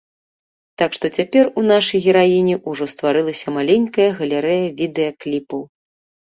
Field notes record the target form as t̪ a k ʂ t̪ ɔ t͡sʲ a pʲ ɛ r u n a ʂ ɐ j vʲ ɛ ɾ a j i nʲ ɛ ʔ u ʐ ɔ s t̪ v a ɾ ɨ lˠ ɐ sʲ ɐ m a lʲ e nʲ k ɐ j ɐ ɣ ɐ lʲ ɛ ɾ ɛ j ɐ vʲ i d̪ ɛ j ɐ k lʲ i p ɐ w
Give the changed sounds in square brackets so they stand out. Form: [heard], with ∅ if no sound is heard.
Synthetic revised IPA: t̪ a k ʂ t̪ ɔ t͡sʲ a pʲ ɛ r u n a ʂ ɐ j [ɣʲ] ɛ ɾ a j i nʲ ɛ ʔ u ʐ ɔ s t̪ v a ɾ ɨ lˠ ɐ sʲ ɐ m a lʲ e nʲ k ɐ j ɐ ɣ ɐ lʲ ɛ ɾ ɛ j ɐ vʲ i d̪ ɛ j ɐ k lʲ i p ɐ w